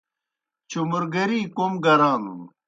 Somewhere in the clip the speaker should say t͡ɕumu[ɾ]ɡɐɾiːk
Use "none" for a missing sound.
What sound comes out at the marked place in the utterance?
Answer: ɾ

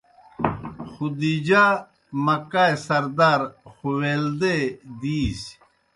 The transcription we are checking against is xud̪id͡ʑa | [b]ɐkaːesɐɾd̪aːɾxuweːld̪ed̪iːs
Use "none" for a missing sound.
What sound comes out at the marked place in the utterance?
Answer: m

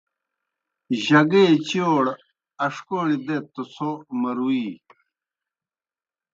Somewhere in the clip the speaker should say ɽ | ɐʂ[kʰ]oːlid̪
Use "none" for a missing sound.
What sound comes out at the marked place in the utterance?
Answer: k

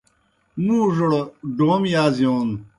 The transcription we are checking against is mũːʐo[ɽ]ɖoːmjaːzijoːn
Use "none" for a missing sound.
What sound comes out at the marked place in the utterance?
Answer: ɽ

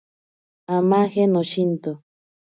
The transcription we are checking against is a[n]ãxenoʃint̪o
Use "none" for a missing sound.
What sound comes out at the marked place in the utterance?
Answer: m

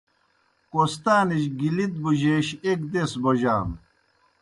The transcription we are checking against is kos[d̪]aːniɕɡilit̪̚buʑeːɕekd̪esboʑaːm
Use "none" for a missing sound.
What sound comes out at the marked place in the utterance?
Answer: t̪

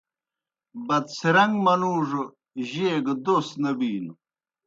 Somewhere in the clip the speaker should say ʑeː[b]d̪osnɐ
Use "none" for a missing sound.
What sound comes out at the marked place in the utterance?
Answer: ɡ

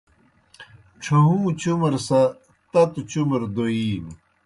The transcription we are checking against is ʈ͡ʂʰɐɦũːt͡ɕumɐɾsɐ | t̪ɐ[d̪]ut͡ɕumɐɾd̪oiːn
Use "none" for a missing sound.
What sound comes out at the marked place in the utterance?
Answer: t̪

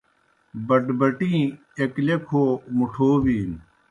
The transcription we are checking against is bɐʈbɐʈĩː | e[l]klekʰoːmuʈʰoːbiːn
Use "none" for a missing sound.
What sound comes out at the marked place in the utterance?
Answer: none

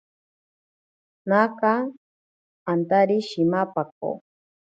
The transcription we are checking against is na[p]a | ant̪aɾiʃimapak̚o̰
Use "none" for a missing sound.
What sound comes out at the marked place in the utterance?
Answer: k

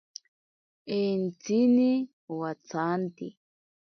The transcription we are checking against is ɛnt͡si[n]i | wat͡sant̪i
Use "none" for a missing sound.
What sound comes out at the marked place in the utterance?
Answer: n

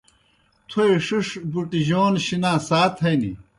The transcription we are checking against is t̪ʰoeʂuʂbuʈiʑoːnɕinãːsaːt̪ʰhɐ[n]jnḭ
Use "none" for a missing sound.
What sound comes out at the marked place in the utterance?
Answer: none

